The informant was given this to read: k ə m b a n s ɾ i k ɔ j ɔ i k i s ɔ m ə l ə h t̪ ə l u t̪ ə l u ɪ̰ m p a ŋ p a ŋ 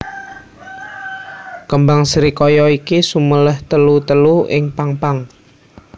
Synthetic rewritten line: k ə m b a ŋ s ɾ i k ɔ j ɔ i k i s u m ə l ə h t̪ ə l u t̪ ə l u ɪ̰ ŋ p a ŋ p a ŋ

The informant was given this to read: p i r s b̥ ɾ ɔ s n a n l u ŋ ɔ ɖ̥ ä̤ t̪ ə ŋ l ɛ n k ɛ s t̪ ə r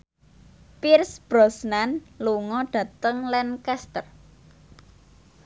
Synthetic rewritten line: p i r s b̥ ɾ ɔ s n a n l u ŋ ɔ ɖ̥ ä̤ t̪ ə ŋ l ɛ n k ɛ s t̪ ə r

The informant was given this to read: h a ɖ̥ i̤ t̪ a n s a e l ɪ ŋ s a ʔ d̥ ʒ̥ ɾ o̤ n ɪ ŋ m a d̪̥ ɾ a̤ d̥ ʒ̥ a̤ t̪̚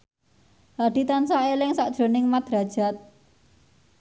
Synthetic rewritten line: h a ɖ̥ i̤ t̪ a n s a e l ɪ ŋ s a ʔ d̥ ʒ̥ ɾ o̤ n ɪ ŋ m a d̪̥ ɾ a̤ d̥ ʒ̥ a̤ t̪̚

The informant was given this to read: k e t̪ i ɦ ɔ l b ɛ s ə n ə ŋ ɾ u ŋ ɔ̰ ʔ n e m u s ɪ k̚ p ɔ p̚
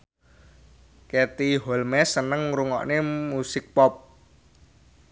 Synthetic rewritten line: k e t̪ i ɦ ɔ l m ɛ s ə n ə ŋ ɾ u ŋ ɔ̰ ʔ n e m u s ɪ k̚ p ɔ p̚

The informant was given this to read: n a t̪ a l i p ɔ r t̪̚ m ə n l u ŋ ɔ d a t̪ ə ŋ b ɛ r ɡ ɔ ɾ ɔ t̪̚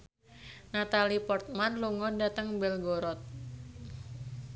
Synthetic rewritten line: n a t̪ a l i p ɔ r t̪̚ m a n l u ŋ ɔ d a t̪ ə ŋ b ɛ l ɡ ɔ ɾ ɔ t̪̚

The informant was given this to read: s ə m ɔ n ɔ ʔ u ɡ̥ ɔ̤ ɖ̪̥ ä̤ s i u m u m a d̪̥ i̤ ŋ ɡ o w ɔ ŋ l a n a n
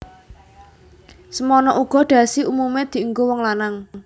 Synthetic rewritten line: s ə m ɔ n ɔ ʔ u ɡ̥ ɔ̤ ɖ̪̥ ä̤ s i u m u m e d̪̥ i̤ ŋ ɡ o w ɔ ŋ l a n a ŋ

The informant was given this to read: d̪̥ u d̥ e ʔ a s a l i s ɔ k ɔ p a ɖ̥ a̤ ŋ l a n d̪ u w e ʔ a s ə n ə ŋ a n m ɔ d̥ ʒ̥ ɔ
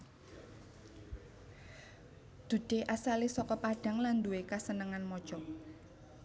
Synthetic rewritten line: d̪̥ u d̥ e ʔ a s a l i s ɔ k ɔ p a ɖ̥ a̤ ŋ l a n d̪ u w e k a s ə n ə ŋ a n m ɔ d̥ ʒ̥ ɔ

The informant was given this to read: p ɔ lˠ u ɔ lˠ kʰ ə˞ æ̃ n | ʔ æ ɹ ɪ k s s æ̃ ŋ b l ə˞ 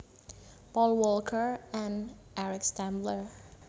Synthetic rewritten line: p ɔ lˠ w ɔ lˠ kʰ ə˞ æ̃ n | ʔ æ ɹ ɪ k s t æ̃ m b l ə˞

